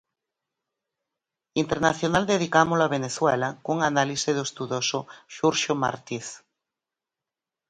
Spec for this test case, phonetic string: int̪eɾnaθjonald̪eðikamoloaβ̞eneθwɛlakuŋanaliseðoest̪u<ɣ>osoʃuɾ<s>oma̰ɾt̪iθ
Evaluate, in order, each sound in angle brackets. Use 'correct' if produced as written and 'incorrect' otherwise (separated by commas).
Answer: incorrect, incorrect